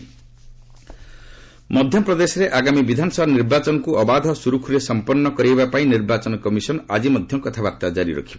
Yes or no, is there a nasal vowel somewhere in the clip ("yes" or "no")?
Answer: yes